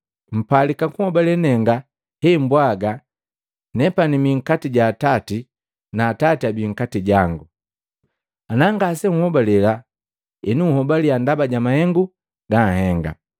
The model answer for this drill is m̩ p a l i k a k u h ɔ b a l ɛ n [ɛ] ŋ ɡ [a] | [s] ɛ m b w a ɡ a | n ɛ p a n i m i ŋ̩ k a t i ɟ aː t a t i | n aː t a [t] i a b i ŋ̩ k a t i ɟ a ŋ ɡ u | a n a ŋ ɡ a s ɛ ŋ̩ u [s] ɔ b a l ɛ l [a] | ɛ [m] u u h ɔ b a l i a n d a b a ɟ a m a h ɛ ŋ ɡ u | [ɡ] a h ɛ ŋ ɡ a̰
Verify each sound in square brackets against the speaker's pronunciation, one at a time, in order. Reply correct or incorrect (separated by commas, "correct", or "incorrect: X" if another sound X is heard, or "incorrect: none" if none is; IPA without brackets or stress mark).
correct, correct, incorrect: h, correct, incorrect: h, correct, incorrect: n, correct